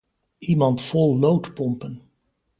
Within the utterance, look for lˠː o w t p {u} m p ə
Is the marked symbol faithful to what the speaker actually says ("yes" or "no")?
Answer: no